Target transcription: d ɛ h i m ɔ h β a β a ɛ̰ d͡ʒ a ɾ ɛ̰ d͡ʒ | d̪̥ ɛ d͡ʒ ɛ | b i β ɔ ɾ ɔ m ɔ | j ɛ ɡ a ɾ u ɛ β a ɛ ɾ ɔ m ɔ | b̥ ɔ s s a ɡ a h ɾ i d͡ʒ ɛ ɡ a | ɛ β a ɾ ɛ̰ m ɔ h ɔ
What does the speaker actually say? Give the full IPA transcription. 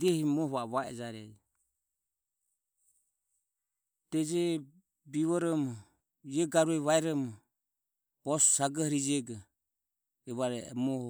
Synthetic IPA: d ɛ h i m ɔ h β a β a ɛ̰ d͡ʒ a ɾ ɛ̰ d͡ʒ | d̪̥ ɛ d͡ʒ ɛ | b i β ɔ ɾ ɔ m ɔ | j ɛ ɡ a ɾ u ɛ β a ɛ ɾ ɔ m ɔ | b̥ ɔ s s a ɡ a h ɾ i d͡ʒ ɛ ɡ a | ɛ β a ɾ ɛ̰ m ɔ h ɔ